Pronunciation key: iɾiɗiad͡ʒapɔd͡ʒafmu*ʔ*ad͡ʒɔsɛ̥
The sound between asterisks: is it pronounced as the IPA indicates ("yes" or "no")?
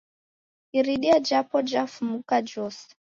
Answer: no